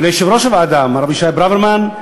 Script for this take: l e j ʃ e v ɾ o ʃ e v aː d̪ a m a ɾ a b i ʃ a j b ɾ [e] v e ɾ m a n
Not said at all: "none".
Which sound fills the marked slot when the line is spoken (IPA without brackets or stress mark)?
a